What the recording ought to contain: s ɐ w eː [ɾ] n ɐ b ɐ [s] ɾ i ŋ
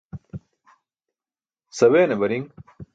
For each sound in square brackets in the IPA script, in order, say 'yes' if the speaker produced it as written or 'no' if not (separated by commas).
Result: no, no